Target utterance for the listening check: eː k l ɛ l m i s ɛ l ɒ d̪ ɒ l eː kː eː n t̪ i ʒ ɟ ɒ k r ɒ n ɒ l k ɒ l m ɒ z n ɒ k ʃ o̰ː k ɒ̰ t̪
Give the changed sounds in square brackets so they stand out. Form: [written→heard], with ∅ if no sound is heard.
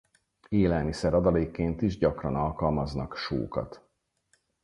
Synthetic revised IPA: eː [k→∅] l ɛ l m i s ɛ [l→ɾ] ɒ d̪ ɒ l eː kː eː n t̪ i ʒ ɟ ɒ k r ɒ n ɒ l k ɒ l m ɒ z n ɒ k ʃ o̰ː k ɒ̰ t̪